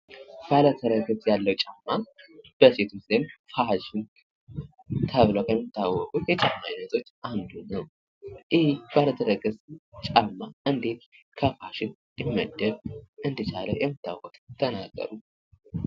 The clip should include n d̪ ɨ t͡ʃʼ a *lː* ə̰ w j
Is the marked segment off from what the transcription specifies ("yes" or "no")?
yes